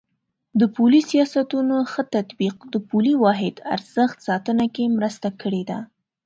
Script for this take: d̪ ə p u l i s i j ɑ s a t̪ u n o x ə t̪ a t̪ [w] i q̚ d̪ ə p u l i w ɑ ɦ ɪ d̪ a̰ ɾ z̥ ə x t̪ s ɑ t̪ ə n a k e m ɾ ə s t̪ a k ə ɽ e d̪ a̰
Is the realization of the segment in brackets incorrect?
yes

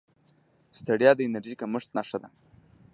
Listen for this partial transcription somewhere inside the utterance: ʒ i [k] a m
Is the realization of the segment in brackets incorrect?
no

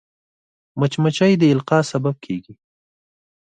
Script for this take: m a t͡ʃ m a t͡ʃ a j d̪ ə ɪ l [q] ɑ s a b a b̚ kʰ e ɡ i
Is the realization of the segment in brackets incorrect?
no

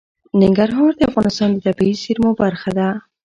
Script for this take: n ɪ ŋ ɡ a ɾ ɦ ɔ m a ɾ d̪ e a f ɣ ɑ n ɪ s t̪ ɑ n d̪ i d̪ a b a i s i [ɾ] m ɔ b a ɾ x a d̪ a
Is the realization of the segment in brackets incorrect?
no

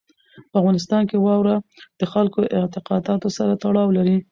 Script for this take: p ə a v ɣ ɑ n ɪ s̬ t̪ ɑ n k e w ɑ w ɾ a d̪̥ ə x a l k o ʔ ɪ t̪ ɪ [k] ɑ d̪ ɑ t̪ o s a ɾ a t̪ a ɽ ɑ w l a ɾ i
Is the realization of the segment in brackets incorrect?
yes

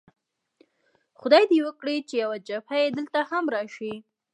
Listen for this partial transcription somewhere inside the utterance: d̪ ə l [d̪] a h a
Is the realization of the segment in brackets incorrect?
yes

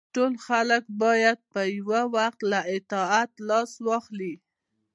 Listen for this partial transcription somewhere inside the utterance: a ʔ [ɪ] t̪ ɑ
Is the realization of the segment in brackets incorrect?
no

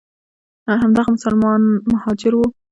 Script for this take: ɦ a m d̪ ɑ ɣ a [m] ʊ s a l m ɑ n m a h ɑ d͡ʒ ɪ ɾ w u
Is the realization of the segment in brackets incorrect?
no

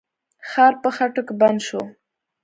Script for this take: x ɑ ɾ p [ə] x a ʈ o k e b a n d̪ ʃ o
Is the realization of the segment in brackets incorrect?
no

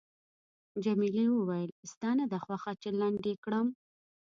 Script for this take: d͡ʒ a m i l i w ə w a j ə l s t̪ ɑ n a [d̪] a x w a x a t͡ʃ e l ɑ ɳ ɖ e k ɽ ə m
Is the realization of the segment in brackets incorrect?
no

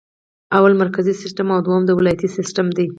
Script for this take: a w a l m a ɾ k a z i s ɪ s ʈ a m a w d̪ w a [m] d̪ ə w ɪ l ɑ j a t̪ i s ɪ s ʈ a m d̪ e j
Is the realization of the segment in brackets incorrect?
no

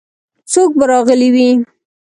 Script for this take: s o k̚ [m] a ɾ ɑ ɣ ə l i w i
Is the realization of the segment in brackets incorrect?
yes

